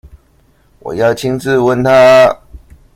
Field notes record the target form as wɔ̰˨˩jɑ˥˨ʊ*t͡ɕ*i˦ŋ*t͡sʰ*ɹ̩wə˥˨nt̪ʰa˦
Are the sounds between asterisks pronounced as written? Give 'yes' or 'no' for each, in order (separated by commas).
no, no